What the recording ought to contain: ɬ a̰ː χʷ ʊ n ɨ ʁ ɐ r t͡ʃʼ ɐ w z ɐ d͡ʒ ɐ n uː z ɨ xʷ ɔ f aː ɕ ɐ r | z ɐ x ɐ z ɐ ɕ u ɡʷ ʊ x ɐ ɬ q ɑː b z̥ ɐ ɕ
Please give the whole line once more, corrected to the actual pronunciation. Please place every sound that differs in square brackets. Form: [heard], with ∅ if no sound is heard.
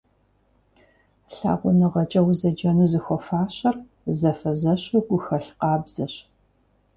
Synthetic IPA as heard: ɬ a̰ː [ʁʷ] ʊ n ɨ ʁ ɐ [∅] t͡ʃʼ ɐ w z ɐ d͡ʒ ɐ n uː z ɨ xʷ ɔ f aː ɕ ɐ r | z ɐ [f] ɐ z ɐ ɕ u ɡʷ ʊ x ɐ ɬ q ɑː b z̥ ɐ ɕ